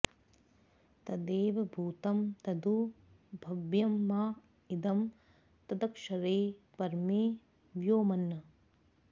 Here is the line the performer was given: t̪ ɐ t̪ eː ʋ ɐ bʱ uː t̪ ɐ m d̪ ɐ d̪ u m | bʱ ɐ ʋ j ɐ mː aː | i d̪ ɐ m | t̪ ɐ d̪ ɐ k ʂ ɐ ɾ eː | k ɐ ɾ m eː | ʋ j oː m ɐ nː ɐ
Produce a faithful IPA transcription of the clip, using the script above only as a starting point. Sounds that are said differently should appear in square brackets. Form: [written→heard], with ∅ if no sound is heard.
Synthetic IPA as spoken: t̪ ɐ [t̪→d̪] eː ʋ ɐ bʱ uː t̪ ɐ m [d̪→t̪] ɐ d̪ u [m→∅] | bʱ ɐ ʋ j ɐ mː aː | i d̪ ɐ m | t̪ ɐ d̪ ɐ k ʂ ɐ ɾ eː | [k→p] ɐ ɾ m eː | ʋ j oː m ɐ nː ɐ